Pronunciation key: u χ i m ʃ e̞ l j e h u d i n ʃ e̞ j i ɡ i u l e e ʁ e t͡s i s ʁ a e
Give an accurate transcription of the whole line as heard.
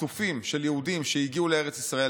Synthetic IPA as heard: u f i m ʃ e̞ l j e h u d i m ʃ e̞ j i ɡ i u l e e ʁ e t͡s i s ʁ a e